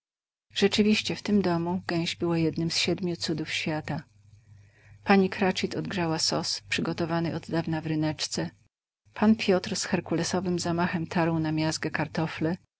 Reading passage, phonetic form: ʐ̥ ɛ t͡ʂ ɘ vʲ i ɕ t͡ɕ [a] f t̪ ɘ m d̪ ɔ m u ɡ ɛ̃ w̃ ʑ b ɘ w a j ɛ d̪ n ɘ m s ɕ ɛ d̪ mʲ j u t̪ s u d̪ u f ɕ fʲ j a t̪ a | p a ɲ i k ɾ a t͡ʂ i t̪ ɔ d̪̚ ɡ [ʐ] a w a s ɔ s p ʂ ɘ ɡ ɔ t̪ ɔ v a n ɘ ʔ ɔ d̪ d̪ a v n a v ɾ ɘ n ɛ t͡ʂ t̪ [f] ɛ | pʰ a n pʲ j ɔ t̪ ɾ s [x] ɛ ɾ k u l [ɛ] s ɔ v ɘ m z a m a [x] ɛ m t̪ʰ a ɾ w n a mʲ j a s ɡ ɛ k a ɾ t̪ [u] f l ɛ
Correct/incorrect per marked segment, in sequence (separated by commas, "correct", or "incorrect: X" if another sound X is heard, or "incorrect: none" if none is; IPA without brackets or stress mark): incorrect: ɛ, correct, incorrect: s, correct, correct, correct, incorrect: ɔ